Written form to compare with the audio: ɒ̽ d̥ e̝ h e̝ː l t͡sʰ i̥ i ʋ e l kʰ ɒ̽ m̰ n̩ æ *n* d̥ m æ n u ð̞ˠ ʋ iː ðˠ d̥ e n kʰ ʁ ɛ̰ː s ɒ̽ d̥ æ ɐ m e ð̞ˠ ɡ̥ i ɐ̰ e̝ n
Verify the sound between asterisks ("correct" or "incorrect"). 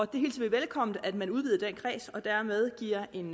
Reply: incorrect